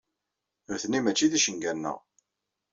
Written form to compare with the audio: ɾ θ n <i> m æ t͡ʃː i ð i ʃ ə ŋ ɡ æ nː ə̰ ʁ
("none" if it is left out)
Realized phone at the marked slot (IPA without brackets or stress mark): i